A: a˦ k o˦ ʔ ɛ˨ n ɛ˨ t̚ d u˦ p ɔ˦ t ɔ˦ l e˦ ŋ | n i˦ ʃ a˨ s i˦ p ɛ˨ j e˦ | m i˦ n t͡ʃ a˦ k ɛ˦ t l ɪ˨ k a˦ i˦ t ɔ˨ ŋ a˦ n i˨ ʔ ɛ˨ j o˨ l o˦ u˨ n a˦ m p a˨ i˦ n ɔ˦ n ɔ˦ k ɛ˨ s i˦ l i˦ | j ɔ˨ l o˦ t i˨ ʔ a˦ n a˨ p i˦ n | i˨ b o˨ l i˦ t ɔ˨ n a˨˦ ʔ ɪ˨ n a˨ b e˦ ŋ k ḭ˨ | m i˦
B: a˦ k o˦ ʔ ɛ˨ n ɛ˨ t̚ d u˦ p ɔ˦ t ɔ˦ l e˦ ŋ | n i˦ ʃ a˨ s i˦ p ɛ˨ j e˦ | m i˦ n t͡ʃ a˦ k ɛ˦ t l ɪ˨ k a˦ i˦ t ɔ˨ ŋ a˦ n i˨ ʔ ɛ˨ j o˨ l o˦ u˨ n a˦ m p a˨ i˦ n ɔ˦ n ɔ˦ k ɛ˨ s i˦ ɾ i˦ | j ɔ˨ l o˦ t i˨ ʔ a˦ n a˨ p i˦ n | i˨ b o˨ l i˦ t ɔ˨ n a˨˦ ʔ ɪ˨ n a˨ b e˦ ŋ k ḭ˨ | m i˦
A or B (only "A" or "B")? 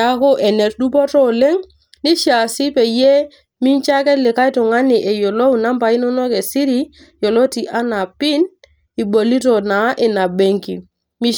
B